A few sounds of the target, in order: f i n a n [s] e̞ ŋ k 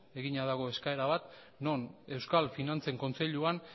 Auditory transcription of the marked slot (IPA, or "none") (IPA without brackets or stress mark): t͡s